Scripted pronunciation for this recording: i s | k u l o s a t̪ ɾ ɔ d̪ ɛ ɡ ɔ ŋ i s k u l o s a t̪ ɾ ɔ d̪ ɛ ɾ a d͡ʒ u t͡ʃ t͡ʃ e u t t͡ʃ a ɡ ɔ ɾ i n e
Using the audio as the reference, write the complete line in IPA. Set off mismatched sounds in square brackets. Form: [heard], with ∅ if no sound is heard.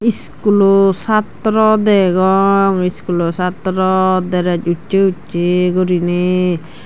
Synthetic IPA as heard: i s | k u l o s a t̪ ɾ ɔ d̪ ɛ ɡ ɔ ŋ i s k u l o s a t̪ ɾ ɔ d̪ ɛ ɾ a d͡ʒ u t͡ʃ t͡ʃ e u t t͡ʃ [e] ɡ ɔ ɾ i n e